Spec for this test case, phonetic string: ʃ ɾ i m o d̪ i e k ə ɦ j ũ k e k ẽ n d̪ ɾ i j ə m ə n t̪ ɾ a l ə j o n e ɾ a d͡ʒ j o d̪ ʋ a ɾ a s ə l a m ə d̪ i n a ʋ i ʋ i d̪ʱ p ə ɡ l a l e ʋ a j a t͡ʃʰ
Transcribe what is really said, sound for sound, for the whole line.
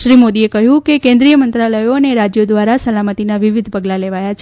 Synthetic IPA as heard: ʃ ɾ i m o d̪ i e k ə ɦ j ũ k e k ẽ n d̪ ɾ i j ə m ə n t̪ ɾ a l ə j o n e ɾ a d͡ʒ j o d̪ ʋ a ɾ a s ə l a m ə t̪ i n a ʋ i ʋ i d̪ʱ p ə ɡ l a l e ʋ a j a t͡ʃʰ